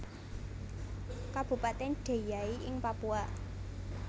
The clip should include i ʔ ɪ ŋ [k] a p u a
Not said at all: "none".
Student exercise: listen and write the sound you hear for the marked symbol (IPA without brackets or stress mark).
p